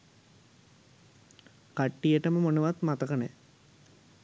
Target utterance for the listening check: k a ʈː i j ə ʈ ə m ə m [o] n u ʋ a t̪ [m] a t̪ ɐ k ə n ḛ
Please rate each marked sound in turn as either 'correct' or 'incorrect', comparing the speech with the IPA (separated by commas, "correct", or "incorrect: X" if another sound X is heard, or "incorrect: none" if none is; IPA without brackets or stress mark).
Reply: correct, correct